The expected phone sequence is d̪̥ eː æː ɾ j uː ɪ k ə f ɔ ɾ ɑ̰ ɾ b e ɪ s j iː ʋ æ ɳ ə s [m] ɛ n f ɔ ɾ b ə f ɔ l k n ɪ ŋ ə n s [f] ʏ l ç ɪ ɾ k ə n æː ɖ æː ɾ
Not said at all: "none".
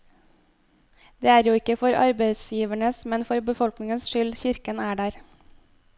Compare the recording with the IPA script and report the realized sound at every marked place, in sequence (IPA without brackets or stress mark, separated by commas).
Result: m, ʃ